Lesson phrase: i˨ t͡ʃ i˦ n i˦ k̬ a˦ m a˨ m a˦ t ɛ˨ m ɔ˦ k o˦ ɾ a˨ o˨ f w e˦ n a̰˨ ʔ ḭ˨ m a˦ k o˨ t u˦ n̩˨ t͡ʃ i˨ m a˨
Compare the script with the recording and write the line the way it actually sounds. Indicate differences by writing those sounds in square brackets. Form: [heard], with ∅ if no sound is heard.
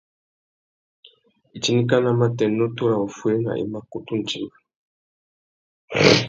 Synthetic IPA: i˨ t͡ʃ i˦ n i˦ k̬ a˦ [n] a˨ m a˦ t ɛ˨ [n] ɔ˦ [t] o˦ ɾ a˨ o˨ f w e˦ n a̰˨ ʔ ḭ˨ m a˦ k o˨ t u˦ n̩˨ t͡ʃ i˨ m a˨